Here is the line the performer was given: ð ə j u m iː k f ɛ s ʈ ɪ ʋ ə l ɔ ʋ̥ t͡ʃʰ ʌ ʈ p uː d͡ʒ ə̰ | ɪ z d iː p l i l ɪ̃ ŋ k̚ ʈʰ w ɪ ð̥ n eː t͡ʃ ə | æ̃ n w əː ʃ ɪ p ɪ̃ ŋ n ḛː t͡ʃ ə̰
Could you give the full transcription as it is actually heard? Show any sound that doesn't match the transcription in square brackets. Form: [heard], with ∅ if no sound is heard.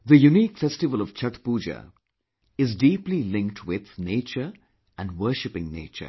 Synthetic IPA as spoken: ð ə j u [n] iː k f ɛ s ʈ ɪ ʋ ə l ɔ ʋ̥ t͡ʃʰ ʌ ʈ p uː d͡ʒ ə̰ | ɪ z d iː p l i l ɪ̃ ŋ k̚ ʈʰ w ɪ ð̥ n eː t͡ʃ ə | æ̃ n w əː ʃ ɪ p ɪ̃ ŋ n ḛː t͡ʃ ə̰